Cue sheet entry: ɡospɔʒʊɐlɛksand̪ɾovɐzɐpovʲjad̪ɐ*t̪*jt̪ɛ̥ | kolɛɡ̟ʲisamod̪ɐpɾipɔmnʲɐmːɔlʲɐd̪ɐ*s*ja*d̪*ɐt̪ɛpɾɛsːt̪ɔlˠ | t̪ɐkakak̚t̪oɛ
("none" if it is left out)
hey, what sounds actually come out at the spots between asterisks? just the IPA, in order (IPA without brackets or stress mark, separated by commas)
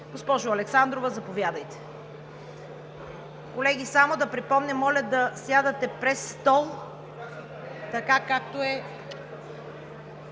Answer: none, s, d̪